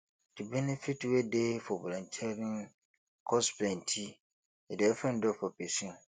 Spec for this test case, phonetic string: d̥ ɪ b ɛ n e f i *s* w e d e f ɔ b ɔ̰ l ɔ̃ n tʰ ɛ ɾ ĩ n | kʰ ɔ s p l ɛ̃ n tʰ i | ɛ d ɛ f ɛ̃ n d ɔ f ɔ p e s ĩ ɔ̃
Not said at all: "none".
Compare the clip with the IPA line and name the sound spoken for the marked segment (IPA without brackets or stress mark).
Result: t